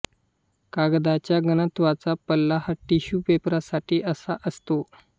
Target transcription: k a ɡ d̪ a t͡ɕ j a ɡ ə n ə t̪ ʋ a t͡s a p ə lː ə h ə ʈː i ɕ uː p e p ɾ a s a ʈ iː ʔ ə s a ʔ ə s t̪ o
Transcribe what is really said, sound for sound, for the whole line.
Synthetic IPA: k a ɡ d̪ a t͡ɕ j a ɡ ə n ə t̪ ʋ a t͡s a p ə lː a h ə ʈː i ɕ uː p e p ɾ a s a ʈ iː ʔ ə s a ʔ ə s t̪ o